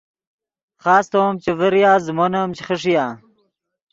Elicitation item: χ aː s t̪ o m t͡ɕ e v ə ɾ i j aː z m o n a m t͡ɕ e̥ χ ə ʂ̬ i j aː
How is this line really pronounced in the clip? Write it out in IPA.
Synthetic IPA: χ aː s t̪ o m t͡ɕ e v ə ɾ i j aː z m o n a m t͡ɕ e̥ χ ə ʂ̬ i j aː